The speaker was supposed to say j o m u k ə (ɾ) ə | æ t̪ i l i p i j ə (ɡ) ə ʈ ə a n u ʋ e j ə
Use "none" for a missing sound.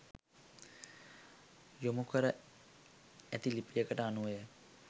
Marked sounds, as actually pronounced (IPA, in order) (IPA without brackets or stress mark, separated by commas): ɾ, k